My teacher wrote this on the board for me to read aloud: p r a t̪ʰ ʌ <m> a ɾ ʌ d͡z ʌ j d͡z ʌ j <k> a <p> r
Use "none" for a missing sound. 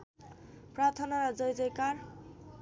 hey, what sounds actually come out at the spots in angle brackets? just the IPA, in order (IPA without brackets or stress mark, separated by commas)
n, k, none